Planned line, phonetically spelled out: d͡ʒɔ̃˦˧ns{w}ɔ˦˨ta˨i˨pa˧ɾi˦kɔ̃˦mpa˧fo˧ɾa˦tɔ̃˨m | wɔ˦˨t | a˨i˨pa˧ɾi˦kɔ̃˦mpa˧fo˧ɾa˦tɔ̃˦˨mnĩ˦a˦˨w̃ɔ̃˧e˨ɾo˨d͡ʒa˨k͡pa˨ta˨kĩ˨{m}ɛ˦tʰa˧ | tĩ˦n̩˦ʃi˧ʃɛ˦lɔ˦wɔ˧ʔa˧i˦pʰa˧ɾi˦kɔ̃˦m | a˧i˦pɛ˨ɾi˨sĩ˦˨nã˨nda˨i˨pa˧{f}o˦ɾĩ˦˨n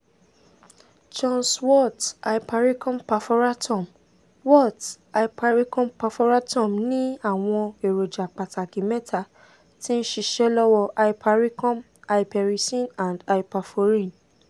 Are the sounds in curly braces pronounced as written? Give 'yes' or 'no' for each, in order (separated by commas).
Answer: yes, yes, yes